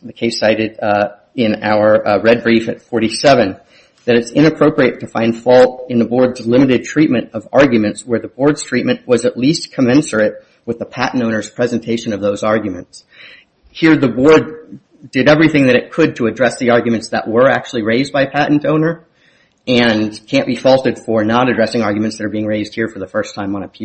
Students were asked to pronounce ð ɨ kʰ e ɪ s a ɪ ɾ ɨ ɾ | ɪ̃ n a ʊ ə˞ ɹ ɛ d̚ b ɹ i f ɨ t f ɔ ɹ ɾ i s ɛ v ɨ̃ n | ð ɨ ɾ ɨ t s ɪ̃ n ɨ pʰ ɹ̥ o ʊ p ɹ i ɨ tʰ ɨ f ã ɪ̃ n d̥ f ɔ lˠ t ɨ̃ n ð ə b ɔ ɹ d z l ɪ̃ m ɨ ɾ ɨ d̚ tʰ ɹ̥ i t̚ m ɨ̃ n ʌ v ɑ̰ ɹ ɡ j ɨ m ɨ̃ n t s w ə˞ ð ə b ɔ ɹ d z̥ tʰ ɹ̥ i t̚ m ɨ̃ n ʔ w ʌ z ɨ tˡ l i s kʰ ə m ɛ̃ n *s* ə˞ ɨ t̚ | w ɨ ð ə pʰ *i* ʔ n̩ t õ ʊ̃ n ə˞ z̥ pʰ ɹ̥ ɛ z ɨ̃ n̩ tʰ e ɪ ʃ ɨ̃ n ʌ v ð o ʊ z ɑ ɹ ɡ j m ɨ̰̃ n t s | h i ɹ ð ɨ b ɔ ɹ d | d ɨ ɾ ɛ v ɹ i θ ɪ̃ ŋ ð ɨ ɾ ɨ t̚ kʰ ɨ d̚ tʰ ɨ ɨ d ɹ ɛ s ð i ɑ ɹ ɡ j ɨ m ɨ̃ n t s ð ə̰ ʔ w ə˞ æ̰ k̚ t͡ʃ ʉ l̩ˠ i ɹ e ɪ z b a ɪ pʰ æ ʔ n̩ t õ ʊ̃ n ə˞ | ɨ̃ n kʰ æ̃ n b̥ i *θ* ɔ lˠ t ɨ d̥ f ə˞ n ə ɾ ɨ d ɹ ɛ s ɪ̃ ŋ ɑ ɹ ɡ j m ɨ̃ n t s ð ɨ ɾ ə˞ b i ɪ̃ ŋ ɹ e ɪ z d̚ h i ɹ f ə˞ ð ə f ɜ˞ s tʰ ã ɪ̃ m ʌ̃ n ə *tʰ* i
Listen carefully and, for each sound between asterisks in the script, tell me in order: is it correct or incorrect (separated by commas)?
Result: correct, incorrect, incorrect, incorrect